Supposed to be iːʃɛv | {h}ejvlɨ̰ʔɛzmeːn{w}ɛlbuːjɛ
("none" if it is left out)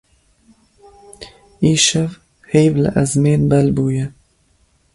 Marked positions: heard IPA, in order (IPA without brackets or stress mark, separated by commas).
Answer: h, b